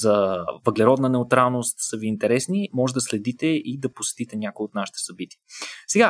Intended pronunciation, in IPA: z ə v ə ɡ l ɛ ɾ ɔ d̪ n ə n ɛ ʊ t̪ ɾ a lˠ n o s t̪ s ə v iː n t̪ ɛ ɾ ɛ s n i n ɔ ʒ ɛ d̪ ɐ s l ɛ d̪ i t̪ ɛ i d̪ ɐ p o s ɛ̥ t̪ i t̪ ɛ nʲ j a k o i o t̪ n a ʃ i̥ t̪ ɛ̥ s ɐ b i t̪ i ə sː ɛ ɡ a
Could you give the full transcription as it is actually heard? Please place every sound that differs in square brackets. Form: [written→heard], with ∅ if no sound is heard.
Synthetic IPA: z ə v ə ɡ l ɛ ɾ ɔ d̪ n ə n ɛ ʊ t̪ ɾ a lˠ n o s t̪ s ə v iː n t̪ ɛ ɾ ɛ s n i [n→m] ɔ ʒ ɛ d̪ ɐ s l ɛ d̪ i t̪ ɛ i d̪ ɐ p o s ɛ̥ t̪ i t̪ ɛ nʲ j a k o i o t̪ n a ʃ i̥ t̪ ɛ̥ s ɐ b i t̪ i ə [sː→s] ɛ ɡ a